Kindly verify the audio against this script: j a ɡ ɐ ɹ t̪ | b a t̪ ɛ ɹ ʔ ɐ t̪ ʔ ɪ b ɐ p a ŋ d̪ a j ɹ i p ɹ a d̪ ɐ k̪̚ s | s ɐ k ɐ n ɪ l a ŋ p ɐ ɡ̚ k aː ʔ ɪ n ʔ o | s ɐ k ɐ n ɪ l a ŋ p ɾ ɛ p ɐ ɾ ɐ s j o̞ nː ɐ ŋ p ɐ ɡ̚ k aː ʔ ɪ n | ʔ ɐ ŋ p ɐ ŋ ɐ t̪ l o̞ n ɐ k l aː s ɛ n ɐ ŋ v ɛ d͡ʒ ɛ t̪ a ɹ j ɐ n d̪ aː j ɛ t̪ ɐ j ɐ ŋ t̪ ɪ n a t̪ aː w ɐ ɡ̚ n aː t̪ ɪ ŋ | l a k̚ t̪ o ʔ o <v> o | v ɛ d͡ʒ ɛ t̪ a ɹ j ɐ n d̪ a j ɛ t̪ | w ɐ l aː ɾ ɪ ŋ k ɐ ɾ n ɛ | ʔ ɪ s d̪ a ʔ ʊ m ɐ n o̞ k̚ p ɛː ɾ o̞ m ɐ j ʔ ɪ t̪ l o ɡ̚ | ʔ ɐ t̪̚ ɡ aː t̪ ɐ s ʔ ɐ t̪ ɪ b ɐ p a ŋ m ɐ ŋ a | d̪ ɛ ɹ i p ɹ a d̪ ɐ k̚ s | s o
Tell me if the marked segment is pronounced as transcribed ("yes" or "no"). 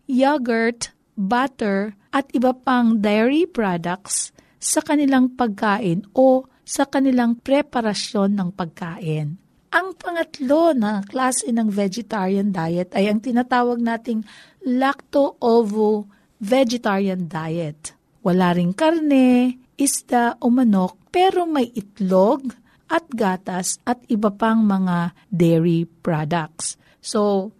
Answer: yes